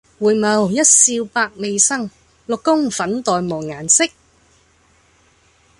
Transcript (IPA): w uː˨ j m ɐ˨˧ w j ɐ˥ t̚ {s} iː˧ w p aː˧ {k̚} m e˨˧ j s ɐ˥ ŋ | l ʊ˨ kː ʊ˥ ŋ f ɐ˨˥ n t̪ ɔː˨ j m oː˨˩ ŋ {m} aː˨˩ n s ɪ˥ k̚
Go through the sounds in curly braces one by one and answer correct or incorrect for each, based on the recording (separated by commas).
correct, correct, incorrect